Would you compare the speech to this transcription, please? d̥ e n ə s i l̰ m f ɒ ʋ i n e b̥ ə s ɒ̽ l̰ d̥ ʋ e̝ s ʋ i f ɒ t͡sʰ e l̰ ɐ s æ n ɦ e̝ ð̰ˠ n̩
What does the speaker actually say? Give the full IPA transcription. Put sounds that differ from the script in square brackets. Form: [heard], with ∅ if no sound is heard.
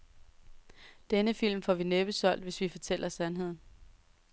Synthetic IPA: d̥ e n ə [f] i l̰ m f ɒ ʋ i n e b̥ ə s ɒ̽ l̰ d̥ ʋ e̝ s ʋ i f ɒ t͡sʰ e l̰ ɐ s æ n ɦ e̝ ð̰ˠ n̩